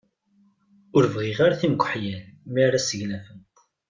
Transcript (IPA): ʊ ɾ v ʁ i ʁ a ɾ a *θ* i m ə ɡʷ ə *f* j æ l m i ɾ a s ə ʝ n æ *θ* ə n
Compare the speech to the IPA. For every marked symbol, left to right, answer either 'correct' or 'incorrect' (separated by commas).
correct, incorrect, incorrect